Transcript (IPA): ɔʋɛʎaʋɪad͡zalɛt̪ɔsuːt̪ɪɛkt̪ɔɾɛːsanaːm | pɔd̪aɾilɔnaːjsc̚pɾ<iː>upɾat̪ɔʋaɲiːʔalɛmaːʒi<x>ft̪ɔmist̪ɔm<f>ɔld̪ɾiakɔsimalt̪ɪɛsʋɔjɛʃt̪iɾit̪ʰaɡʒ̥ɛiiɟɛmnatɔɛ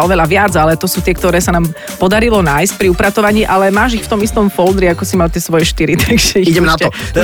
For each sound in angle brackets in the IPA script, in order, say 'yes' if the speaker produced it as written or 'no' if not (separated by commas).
no, yes, yes